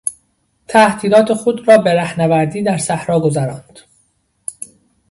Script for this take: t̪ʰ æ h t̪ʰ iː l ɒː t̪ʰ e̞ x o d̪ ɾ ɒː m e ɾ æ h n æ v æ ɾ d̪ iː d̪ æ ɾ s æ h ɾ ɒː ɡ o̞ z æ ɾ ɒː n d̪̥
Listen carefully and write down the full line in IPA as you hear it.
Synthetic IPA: t̪ʰ æ h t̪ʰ iː l ɒː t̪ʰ e̞ x o d̪ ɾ ɒː b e ɾ æ h n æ v æ ɾ d̪ iː d̪ æ ɾ s æ h ɾ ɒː ɡ o̞ z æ ɾ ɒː n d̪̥